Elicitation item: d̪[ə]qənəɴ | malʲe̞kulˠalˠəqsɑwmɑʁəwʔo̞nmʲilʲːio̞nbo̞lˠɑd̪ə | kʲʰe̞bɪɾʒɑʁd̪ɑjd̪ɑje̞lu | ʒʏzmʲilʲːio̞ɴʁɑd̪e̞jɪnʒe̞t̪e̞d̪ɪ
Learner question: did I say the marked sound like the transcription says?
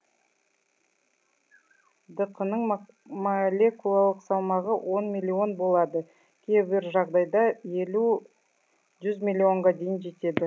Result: yes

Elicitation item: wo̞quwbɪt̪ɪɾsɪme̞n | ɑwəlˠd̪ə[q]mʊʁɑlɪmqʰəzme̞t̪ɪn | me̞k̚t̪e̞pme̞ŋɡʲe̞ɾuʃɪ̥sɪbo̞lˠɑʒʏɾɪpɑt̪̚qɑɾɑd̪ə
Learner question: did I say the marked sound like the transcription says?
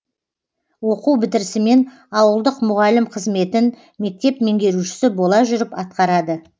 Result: yes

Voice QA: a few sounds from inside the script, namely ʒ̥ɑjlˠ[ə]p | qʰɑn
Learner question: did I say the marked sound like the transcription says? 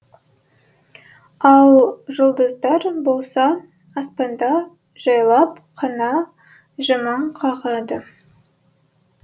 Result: no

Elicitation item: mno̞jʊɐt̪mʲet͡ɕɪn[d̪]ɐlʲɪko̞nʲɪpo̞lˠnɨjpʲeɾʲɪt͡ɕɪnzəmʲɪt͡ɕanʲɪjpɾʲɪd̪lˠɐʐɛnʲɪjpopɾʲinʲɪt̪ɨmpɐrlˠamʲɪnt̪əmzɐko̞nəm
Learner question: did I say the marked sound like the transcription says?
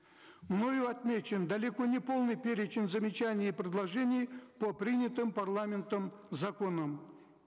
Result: yes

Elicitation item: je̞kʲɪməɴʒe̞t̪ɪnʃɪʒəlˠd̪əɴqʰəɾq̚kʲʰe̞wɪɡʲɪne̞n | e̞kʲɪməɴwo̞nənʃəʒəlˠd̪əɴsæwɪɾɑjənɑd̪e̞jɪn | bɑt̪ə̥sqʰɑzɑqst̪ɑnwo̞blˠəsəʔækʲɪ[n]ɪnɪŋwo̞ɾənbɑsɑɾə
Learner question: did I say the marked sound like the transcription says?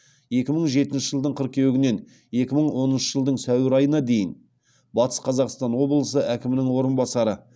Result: no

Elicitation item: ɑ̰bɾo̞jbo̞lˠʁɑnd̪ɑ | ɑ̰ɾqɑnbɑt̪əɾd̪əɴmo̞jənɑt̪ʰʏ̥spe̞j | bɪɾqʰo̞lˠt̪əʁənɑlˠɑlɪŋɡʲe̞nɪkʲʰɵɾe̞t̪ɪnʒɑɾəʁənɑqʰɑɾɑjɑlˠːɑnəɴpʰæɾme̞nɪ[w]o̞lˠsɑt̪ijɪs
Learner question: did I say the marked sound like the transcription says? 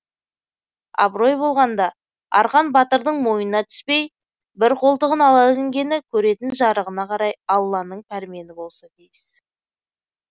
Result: no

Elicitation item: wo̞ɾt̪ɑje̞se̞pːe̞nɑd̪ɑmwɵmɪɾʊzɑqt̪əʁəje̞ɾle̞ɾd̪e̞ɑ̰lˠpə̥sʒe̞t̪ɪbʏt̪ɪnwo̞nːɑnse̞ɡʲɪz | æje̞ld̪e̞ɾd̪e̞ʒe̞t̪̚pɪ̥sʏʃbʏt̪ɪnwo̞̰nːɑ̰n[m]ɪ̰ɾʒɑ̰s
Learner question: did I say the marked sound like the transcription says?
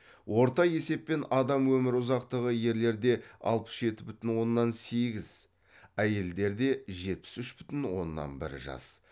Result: no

